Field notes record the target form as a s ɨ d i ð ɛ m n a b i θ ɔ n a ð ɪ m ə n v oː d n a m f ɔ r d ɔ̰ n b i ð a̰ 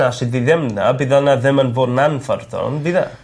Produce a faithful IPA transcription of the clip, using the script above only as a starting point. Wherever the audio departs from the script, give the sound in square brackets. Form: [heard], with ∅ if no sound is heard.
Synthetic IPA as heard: a s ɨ d i ð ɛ m n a b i [ð] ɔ n a ð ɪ m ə n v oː d n a [n] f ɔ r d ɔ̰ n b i ð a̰